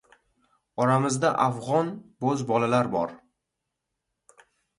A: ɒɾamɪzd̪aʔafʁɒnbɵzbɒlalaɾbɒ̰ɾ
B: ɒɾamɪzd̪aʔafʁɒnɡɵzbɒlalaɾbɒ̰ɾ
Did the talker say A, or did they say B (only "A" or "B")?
A